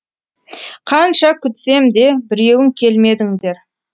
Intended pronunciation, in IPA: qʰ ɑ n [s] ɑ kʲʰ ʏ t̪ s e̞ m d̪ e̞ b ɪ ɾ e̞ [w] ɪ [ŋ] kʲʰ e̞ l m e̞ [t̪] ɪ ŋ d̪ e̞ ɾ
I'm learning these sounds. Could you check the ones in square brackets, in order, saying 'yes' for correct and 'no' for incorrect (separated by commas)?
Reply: no, yes, yes, no